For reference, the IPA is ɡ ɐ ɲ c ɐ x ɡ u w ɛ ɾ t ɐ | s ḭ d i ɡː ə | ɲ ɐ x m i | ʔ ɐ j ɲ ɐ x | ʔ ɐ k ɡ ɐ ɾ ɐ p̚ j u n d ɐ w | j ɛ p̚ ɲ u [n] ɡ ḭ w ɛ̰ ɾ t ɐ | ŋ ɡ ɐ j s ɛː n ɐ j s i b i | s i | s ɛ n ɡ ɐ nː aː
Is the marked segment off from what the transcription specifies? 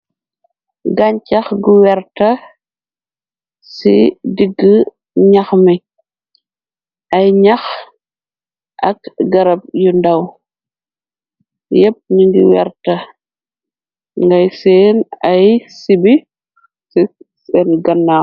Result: yes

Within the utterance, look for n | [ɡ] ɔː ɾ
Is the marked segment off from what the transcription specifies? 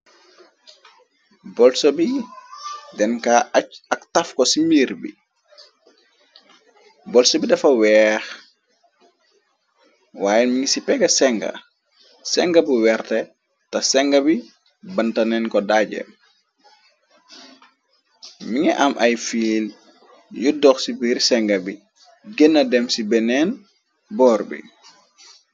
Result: yes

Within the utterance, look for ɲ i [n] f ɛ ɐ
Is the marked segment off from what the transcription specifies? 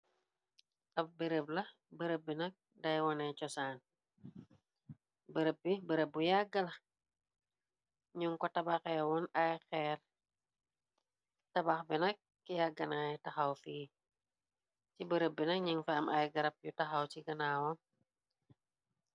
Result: yes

